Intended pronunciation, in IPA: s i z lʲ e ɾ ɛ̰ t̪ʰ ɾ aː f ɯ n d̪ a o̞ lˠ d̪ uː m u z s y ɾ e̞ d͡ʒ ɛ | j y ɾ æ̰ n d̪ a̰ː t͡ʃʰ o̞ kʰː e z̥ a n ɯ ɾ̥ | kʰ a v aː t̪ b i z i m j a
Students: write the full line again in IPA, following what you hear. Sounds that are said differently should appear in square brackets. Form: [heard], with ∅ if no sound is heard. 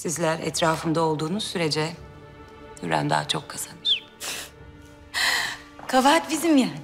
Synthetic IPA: s i z lʲ [æ] ɾ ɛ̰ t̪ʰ ɾ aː f ɯ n d̪ a o̞ lˠ d̪ uː [n] u z s y ɾ e̞ d͡ʒ ɛ | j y ɾ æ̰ n d̪ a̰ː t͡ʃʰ o̞ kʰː [a] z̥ a n ɯ ɾ̥ | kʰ a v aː t̪ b i z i m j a